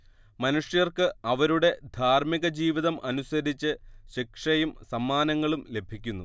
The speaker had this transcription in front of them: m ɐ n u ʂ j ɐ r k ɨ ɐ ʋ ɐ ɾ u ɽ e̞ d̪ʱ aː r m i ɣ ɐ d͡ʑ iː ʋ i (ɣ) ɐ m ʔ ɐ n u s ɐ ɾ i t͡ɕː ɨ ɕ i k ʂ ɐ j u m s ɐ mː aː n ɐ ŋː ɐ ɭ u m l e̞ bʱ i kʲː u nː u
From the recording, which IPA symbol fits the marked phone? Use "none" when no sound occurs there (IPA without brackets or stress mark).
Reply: ð